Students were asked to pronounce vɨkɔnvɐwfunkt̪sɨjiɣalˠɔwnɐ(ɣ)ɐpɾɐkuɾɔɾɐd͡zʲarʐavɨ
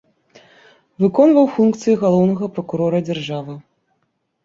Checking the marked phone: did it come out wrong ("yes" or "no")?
no